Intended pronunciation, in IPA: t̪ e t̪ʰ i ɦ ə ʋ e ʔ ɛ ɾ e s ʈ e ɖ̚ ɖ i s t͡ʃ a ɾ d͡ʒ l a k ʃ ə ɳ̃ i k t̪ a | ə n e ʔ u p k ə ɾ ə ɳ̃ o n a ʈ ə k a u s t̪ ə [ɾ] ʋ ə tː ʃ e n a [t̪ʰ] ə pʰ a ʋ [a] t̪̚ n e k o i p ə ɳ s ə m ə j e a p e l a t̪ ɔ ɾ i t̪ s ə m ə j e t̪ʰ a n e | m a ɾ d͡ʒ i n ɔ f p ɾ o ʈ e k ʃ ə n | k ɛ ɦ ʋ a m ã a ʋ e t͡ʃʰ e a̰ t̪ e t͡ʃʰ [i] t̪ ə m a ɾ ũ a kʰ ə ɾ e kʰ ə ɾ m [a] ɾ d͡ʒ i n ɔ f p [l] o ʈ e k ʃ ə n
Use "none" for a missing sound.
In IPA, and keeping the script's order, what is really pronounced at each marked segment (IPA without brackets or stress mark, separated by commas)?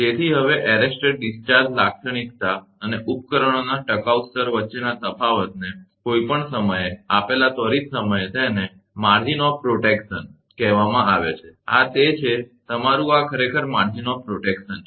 ɾ, t̪, ə, e, a, ɾ